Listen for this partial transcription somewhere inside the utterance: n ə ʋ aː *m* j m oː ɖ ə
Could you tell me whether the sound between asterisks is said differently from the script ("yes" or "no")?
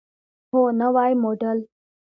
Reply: yes